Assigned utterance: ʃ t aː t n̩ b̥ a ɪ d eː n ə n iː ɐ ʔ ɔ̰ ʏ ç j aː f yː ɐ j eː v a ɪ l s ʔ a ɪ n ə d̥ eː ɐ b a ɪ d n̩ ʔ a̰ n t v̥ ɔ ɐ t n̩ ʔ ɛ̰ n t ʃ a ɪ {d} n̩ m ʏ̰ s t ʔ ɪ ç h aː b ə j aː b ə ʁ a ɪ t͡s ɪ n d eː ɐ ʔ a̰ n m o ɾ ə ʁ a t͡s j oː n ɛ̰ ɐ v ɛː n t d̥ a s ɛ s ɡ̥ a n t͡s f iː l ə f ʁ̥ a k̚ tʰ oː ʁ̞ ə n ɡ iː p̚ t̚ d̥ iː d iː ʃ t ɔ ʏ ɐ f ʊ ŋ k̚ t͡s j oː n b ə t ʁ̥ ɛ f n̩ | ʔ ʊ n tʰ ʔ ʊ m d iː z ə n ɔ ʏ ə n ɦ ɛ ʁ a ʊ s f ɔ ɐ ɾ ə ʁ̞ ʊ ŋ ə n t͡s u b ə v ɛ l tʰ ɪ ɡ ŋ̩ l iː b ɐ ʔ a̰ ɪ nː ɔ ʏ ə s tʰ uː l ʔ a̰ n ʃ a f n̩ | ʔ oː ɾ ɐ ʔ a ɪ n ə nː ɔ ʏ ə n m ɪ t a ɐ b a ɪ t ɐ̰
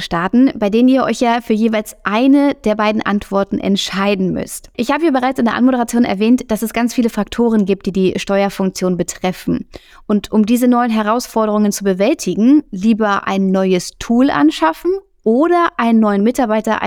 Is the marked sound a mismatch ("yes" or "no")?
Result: no